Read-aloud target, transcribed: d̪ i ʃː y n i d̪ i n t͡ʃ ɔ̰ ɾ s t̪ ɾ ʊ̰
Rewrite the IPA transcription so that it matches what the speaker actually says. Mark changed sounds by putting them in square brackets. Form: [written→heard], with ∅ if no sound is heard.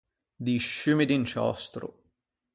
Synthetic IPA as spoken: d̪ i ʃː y [n→m] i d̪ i n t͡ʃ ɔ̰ [ɾ→∅] s t̪ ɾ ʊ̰

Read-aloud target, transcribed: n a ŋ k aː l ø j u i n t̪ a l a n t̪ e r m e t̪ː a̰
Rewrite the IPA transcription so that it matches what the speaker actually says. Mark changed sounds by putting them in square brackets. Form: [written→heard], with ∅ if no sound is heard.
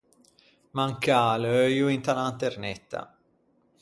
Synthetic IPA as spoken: [n→m] a ŋ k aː l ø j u i n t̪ a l a n t̪ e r [m→n] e t̪ː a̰

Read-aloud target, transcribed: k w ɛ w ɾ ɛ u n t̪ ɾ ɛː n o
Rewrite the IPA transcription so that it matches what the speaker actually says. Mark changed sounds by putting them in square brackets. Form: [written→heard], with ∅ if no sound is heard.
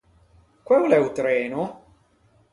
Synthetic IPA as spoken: k w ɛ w [ɾ→l] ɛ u [n→∅] t̪ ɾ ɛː n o

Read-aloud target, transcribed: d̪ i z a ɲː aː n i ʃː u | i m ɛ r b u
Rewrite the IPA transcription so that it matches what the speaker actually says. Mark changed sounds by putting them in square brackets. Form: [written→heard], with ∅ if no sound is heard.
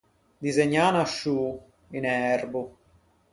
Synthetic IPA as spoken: d̪ i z [a→e] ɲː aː n [i→a] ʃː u | i [m→n] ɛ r b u

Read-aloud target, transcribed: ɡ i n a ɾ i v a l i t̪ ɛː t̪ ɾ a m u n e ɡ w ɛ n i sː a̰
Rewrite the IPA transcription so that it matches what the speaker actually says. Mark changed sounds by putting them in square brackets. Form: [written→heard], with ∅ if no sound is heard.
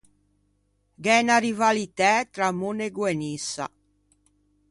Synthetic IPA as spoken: ɡ [i→ɛ] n a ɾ i v a l i t̪ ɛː t̪ ɾ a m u n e ɡ w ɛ n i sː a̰

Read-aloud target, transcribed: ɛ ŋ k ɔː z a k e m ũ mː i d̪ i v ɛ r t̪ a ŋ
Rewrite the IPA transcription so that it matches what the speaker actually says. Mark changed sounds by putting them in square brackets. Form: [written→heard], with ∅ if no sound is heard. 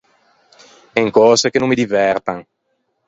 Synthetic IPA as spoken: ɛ ŋ k ɔː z [a→e] k e [m→n] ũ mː i d̪ i v ɛ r t̪ a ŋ

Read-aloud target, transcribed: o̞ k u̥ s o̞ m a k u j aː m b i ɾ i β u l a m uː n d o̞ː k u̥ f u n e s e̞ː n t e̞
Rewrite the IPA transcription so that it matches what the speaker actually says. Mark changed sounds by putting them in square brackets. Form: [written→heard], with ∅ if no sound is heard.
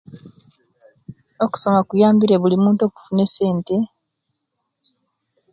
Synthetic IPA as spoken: o̞ k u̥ s o̞ m a k u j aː m b i ɾ [i→e] β u l [a→i] m uː n [d→t] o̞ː k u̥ f u n e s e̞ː n t e̞

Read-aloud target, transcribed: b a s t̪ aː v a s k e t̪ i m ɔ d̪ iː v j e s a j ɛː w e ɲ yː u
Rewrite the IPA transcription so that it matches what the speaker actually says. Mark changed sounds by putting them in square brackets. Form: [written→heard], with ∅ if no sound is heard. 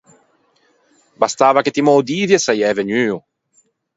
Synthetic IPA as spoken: b a s t̪ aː v a [s→∅] k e t̪ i m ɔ d̪ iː v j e s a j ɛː [w→v] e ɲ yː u

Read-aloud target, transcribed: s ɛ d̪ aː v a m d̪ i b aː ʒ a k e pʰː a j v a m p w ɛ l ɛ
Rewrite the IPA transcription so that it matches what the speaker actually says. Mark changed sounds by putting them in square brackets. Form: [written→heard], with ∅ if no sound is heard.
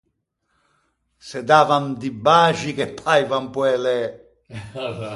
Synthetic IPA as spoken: s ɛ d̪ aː v a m d̪ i b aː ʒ [a→i] k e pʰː a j v a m p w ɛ l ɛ

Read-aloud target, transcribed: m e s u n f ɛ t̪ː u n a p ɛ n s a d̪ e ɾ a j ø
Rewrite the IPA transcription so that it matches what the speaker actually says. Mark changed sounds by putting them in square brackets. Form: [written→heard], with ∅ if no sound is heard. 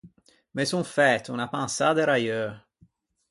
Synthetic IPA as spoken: m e s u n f ɛ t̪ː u n a p [ɛ→a] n s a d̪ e ɾ a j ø

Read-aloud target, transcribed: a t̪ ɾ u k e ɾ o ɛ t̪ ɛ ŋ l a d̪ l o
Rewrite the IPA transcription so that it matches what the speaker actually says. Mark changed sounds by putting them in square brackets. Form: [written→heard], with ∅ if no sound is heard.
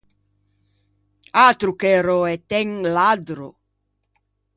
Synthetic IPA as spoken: a t̪ ɾ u k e ɾ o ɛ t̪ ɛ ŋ l a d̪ [l→ɾ] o

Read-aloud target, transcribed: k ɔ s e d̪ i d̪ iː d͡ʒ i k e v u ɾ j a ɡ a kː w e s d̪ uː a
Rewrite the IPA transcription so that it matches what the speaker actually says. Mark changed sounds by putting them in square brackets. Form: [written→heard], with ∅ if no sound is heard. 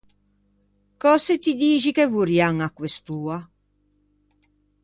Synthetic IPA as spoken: k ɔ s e [d̪→t̪] i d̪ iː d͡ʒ i k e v u ɾ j a [ɡ→ŋ] a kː w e s [d̪→t̪] uː a

